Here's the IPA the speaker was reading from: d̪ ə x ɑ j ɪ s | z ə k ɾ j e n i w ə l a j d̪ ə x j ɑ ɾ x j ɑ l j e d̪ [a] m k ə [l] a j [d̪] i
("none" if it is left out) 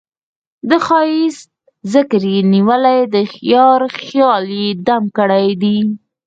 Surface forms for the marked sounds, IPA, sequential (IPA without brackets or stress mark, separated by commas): a, ɽ, d̪